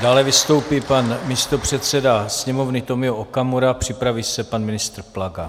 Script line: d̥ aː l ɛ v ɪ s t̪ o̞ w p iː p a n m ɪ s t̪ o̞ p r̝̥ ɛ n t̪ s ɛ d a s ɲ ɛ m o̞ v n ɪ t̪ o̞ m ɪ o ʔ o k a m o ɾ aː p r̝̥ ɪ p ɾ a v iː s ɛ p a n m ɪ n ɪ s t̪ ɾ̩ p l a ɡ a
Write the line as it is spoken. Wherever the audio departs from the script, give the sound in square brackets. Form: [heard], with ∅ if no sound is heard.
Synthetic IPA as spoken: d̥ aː l ɛ v ɪ s t̪ o̞ w p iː p a n m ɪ s t̪ o̞ p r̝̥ ɛ [∅] t̪ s ɛ d a s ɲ ɛ m o̞ v n ɪ t̪ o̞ m ɪ o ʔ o k a m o ɾ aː p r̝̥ ɪ p ɾ a v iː s ɛ p a n m ɪ n ɪ s t̪ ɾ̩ p l a ɡ a

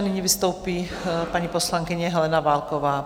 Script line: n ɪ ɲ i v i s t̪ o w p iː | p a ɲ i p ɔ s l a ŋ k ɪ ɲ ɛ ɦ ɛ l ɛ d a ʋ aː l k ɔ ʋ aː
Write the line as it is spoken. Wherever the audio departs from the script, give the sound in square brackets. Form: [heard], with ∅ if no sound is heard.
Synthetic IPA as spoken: n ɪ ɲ i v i s t̪ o w p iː | p a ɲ i p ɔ s l a ŋ k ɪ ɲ ɛ ɦ ɛ l ɛ [n] a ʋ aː l k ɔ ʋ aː

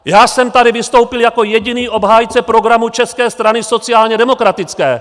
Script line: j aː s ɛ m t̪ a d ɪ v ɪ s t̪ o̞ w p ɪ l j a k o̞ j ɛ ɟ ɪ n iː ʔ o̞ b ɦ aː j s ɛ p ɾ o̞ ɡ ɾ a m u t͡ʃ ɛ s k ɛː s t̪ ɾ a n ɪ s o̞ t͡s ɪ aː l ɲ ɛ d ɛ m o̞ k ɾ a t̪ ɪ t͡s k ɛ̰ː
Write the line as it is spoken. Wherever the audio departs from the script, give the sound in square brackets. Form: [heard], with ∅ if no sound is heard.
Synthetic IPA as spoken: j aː s ɛ m t̪ a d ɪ v ɪ s t̪ o̞ w p ɪ l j a k o̞ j ɛ ɟ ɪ n iː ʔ o̞ b ɦ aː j [t͡s] ɛ p ɾ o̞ ɡ ɾ a m u t͡ʃ ɛ s k ɛː s t̪ ɾ a n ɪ s o̞ t͡s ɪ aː l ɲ ɛ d ɛ m o̞ k ɾ a t̪ ɪ t͡s k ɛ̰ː

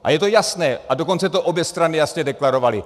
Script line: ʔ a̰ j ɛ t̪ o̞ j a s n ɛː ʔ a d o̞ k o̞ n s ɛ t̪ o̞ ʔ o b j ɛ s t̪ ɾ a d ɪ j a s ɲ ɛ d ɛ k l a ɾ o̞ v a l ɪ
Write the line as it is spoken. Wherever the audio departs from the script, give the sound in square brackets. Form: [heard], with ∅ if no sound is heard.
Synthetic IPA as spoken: ʔ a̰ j ɛ t̪ o̞ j a s n ɛː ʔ a d o̞ k o̞ n [t͡s] ɛ t̪ o̞ ʔ o b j ɛ s t̪ ɾ a [n] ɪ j a s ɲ ɛ d ɛ k l a ɾ o̞ v a l ɪ

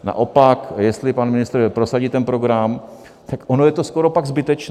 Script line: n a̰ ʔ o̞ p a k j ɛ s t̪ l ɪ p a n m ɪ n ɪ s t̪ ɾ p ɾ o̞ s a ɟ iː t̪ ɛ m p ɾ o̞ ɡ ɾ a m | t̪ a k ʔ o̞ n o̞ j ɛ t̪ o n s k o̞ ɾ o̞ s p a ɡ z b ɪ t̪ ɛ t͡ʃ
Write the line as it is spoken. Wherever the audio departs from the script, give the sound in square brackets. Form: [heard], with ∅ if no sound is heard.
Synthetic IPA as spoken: n a̰ ʔ o̞ p a k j ɛ s t̪ l ɪ p a n m ɪ n ɪ s t̪ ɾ p ɾ o̞ s a ɟ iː t̪ ɛ [n] p ɾ o̞ ɡ ɾ a m | t̪ a k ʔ o̞ n o̞ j ɛ t̪ o [∅] s k o̞ ɾ o̞ [∅] p a ɡ z b ɪ t̪ ɛ t͡ʃ

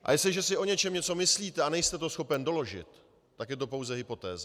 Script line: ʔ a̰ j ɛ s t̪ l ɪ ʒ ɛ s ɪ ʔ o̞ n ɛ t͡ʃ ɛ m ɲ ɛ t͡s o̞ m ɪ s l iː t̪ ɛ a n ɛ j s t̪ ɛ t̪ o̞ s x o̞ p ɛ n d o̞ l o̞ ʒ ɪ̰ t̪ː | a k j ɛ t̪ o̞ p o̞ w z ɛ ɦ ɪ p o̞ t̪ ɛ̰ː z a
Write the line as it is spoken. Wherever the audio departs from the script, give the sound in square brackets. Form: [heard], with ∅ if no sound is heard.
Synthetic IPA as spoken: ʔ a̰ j ɛ s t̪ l ɪ ʒ ɛ s ɪ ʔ o̞ [ɲ] ɛ t͡ʃ ɛ m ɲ ɛ t͡s o̞ m ɪ s l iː t̪ ɛ a n ɛ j s t̪ ɛ t̪ o̞ s x o̞ p ɛ n d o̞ l o̞ ʒ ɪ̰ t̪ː | a k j ɛ t̪ o̞ p o̞ w z ɛ ɦ ɪ p o̞ t̪ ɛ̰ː z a

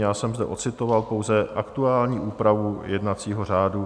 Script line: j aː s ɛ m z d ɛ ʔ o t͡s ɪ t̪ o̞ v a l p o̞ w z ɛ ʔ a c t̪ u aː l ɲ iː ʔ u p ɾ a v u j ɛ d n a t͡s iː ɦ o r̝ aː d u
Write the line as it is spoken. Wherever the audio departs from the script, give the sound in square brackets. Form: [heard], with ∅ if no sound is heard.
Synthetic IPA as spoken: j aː s ɛ m z d ɛ ʔ o t͡s ɪ t̪ o̞ v a l p o̞ w z ɛ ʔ a [k] t̪ u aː l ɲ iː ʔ [uː] p ɾ a v u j ɛ d n a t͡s iː ɦ o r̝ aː d u

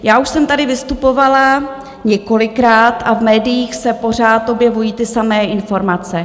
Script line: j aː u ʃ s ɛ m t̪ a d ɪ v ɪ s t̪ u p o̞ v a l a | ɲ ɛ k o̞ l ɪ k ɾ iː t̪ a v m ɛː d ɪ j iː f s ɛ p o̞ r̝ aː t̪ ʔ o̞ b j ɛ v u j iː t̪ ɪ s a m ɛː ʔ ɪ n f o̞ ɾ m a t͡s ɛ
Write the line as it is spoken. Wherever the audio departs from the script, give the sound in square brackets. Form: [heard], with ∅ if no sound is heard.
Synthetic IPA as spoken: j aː u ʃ s ɛ m t̪ a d ɪ v ɪ s t̪ u p o̞ v a l a | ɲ ɛ k o̞ l ɪ k ɾ [aː] t̪ a v m ɛː d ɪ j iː [x] s ɛ p o̞ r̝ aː t̪ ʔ o̞ b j ɛ v u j iː t̪ ɪ s a m ɛː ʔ ɪ n f o̞ ɾ m a t͡s ɛ

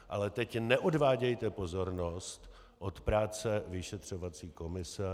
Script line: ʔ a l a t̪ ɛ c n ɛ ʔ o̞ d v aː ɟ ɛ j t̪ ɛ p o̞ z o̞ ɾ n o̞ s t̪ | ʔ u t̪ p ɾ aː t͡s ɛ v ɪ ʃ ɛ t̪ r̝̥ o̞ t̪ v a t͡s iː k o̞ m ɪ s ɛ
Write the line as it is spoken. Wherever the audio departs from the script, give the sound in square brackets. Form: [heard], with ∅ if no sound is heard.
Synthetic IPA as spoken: ʔ a l [ɛ] t̪ ɛ c n ɛ ʔ o̞ d v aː ɟ ɛ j t̪ ɛ p o̞ z o̞ ɾ n o̞ s t̪ | ʔ [o] t̪ p ɾ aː t͡s ɛ v ɪ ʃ ɛ t̪ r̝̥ o̞ [∅] v a t͡s iː k o̞ m ɪ s ɛ

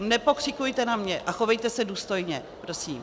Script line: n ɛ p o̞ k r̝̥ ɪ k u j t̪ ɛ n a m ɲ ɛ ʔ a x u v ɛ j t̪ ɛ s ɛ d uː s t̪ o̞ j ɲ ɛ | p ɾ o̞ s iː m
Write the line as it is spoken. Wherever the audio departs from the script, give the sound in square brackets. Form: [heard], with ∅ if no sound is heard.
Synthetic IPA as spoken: n ɛ p o̞ k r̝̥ ɪ k u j t̪ ɛ n a m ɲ ɛ ʔ a x [o] v ɛ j t̪ ɛ s ɛ d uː s t̪ o̞ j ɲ ɛ | p ɾ o̞ s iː m

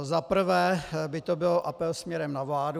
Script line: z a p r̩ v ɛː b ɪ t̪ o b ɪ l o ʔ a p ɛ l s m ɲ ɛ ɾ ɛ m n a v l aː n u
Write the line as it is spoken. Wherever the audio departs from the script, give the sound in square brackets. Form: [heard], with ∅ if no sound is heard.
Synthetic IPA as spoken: z a p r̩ v ɛː b ɪ t̪ o b ɪ l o ʔ a p ɛ l s m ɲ ɛ ɾ ɛ m n a v l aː [d] u

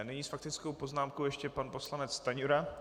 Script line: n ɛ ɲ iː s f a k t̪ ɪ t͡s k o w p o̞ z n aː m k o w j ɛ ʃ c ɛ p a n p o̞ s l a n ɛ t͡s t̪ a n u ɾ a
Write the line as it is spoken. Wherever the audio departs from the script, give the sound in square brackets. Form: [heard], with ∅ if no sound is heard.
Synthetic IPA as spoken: n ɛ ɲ iː s f a k t̪ ɪ t͡s k o w p o̞ z n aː m k o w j ɛ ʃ c ɛ p a n p o̞ s l a n ɛ t͡s t̪ a [ɲ] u ɾ a

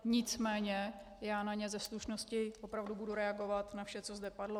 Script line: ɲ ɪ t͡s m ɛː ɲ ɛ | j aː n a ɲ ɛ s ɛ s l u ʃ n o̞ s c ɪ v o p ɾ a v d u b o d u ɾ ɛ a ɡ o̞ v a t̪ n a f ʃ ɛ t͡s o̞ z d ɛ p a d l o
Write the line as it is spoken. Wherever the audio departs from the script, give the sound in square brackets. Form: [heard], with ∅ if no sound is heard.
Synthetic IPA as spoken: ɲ ɪ t͡s m ɛː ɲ ɛ | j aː n a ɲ ɛ [z] ɛ s l u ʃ n o̞ s c ɪ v o p ɾ a v d u b [u] d u ɾ ɛ a ɡ o̞ v a t̪ n a f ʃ ɛ t͡s o̞ z d ɛ p a d l o

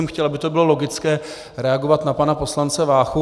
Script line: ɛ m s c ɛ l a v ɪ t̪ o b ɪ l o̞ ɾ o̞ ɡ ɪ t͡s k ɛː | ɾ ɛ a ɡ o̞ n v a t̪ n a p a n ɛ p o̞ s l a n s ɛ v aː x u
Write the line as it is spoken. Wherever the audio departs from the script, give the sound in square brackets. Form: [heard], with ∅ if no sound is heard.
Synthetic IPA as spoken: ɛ m [x] c ɛ l a [b] ɪ t̪ o b ɪ l o̞ [l] o̞ ɡ ɪ t͡s k ɛː | ɾ ɛ a ɡ o̞ [∅] v a t̪ n a p a n [a] p o̞ s l a n [t͡s] ɛ v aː x u

